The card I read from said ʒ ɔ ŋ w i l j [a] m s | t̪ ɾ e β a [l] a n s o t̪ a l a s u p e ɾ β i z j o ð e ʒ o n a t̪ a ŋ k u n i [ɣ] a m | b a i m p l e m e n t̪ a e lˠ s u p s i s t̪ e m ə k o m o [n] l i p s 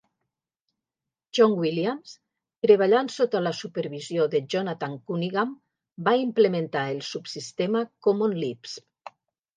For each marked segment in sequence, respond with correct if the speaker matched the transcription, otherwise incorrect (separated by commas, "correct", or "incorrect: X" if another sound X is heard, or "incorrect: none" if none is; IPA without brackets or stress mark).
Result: correct, incorrect: ʎ, correct, correct